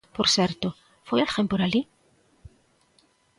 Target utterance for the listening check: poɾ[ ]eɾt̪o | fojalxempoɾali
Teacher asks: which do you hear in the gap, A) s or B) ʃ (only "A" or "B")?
A